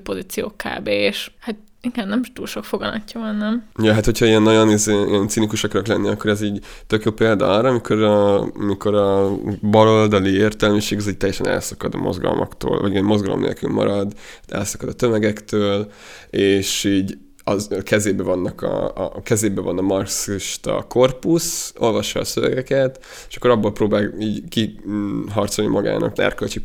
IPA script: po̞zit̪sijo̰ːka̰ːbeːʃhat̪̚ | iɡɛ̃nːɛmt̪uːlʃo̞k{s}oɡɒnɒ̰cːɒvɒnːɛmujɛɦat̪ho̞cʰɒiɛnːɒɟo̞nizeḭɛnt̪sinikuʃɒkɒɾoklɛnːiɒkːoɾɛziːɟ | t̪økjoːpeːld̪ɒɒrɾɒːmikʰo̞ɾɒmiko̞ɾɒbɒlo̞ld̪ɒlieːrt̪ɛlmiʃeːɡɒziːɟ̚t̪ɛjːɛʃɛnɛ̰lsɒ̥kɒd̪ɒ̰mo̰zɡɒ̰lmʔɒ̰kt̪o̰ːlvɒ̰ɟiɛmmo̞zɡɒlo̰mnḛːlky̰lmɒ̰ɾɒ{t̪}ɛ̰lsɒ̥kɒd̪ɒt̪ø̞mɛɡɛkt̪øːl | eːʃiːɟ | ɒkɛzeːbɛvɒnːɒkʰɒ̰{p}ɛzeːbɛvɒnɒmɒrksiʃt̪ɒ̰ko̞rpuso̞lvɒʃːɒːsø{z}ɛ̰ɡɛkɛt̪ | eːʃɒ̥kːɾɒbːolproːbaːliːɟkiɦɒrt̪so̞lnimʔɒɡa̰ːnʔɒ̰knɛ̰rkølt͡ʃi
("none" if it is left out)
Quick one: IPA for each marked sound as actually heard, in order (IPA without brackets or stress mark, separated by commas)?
f, d̪, k, v